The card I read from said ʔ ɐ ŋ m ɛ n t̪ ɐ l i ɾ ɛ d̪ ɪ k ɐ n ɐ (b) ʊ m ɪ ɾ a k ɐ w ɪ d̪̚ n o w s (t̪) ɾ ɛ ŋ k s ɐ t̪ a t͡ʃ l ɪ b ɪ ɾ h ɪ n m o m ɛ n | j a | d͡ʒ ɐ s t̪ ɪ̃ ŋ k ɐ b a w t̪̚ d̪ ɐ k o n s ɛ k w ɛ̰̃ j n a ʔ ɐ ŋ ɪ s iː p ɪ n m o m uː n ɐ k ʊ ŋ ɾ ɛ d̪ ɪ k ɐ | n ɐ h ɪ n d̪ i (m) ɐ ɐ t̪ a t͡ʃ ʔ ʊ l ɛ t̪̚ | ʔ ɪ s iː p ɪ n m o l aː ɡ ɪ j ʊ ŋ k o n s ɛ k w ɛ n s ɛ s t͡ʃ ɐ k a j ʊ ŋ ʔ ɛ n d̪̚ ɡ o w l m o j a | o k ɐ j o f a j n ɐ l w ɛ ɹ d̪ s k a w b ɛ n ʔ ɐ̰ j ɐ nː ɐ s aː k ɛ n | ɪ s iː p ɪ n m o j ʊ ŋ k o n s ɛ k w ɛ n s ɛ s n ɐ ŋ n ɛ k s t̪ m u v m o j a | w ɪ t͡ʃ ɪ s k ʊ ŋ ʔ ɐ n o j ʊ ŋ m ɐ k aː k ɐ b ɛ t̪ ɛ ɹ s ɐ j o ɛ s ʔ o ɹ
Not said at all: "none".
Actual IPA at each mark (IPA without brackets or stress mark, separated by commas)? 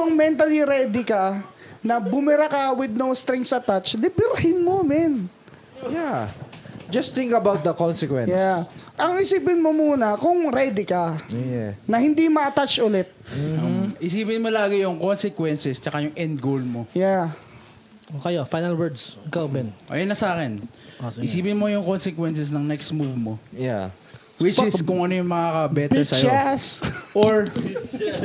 b, t̪, m